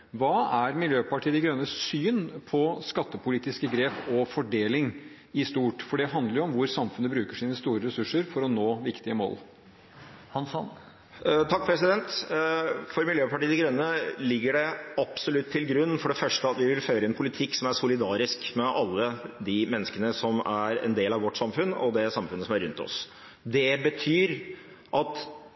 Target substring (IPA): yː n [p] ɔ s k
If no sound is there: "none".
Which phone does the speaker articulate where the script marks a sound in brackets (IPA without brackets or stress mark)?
pʰ